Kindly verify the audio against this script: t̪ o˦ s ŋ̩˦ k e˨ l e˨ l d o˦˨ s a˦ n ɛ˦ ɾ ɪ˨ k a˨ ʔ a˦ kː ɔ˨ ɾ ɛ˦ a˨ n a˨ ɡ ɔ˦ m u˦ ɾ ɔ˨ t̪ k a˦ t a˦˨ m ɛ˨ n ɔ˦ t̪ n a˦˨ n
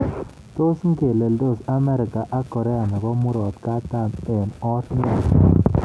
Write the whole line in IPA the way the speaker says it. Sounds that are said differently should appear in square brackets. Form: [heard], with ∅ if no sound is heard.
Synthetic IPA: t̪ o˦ s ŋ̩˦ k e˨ l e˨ l d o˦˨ s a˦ [m] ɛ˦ ɾ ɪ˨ k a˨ ʔ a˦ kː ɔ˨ ɾ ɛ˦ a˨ n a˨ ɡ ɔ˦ m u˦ ɾ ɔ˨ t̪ k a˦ t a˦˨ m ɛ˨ n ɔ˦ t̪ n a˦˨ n